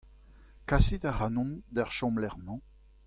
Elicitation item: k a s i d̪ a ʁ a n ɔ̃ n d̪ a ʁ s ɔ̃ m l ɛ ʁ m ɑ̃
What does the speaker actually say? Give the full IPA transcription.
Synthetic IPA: k a s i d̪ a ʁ a n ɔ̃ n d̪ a ʁ ʃ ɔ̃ m l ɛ ʁ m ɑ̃